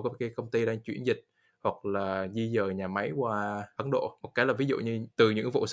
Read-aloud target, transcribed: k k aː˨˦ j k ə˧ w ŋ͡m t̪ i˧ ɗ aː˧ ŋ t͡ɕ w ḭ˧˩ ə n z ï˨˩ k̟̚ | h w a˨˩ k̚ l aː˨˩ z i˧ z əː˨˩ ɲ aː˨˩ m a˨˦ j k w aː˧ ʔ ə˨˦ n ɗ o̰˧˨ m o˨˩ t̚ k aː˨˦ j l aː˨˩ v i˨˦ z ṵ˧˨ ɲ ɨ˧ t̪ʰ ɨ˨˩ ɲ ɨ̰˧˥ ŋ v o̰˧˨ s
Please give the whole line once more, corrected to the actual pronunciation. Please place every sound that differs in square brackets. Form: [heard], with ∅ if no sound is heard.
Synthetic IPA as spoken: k k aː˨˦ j k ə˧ w ŋ͡m t̪ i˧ ɗ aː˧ ŋ t͡ɕ w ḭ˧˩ ə n z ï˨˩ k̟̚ | h w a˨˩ k̚ l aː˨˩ z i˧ z əː˨˩ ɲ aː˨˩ m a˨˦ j k w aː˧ ʔ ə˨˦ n ɗ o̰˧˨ m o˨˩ t̚ k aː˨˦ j l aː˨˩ v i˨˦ z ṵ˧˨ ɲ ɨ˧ [t̪] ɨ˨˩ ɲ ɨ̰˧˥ ŋ v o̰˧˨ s